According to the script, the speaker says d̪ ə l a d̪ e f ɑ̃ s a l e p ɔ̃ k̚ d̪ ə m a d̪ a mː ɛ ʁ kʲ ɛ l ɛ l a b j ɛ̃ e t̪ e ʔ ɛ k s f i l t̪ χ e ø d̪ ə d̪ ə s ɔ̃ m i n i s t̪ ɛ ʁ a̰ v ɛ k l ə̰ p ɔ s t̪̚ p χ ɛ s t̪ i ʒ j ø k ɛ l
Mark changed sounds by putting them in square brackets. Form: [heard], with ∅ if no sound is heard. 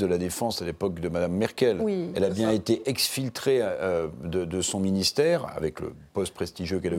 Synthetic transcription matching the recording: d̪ ə l a d̪ e f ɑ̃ s a l e p [ɔ] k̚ d̪ ə m a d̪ a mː ɛ ʁ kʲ ɛ l ɛ l a b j ɛ̃ e t̪ e ʔ ɛ k s f i l t̪ χ e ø d̪ ə d̪ ə s ɔ̃ m i n i s t̪ ɛ ʁ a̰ v ɛ k l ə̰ p ɔ s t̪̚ p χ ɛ s t̪ i ʒ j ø k ɛ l